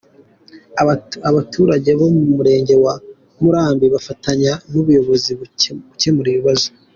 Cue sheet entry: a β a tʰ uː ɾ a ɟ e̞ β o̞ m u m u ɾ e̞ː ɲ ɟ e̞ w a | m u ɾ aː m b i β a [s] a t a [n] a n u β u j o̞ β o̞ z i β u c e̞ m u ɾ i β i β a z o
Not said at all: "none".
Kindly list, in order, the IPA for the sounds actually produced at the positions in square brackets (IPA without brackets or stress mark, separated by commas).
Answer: f, ɲ